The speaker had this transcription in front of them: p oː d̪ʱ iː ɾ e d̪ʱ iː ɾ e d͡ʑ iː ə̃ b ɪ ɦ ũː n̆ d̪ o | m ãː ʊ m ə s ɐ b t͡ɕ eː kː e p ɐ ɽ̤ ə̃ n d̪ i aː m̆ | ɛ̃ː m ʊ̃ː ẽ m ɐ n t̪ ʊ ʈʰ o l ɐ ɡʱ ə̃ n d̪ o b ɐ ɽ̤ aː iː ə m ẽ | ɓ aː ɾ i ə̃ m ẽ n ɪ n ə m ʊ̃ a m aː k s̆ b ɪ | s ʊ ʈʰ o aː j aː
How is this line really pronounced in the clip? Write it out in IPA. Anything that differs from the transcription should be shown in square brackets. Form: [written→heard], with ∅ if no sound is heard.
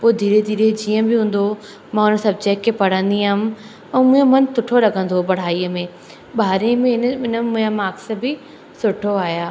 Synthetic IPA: p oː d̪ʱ iː ɾ e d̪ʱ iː ɾ e d͡ʑ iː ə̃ b ɪ ɦ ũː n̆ d̪ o | m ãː ʊ [m→n] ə s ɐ b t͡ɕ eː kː e p ɐ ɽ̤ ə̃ n d̪ i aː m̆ | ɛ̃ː m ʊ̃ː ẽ m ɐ n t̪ ʊ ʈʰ o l ɐ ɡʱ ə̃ n d̪ o b ɐ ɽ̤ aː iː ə m ẽ | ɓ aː ɾ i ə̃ m ẽ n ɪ n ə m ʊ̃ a m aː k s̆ b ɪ | s ʊ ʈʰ o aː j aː